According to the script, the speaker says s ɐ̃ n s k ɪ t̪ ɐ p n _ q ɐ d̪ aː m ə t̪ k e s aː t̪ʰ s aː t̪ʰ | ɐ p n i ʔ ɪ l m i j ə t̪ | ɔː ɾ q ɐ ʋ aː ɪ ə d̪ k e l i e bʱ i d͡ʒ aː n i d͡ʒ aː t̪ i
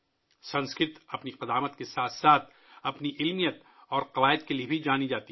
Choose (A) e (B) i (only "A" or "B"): B